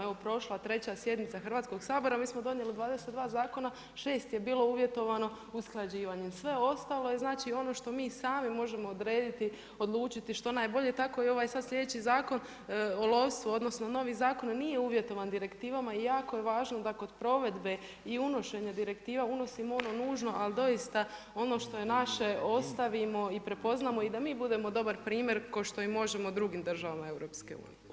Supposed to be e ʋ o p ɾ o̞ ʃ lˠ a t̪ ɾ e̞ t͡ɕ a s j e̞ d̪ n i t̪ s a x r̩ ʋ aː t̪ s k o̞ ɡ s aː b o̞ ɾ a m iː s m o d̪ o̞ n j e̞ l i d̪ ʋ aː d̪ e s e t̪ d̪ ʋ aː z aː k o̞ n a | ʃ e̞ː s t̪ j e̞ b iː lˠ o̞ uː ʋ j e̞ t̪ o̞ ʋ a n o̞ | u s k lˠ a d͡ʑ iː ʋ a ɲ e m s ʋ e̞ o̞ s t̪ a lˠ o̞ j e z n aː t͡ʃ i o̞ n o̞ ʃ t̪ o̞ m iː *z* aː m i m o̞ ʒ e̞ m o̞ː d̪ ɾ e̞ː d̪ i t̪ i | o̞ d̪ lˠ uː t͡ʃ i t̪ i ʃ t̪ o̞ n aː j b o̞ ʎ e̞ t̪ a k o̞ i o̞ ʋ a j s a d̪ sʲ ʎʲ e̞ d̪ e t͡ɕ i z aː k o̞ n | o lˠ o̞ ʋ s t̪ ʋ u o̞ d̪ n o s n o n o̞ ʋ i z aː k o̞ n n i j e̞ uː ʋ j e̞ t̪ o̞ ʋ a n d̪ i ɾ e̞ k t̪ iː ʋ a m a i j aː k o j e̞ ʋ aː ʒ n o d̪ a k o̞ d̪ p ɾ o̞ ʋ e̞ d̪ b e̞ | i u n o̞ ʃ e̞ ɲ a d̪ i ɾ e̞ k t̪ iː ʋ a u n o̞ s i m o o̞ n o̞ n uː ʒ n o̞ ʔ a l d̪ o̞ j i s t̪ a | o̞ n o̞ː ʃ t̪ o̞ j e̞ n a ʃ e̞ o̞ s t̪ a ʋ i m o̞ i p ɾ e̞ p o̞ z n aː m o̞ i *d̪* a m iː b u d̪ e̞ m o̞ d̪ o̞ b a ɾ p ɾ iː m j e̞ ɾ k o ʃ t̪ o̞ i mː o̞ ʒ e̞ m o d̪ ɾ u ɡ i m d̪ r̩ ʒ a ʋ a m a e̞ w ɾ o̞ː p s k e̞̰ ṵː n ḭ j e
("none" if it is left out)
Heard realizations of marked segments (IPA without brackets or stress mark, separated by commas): s, d̪